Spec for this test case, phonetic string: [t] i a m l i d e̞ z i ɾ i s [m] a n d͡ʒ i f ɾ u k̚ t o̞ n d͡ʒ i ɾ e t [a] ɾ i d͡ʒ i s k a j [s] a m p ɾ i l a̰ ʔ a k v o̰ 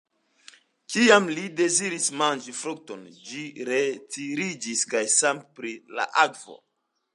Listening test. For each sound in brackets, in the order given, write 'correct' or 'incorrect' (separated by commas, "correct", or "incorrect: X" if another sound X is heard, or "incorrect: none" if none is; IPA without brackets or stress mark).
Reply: incorrect: k, correct, incorrect: i, correct